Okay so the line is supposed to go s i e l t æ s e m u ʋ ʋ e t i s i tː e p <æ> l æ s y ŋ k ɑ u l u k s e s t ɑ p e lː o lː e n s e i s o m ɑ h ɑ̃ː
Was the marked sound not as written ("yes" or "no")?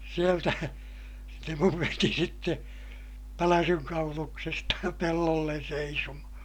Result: no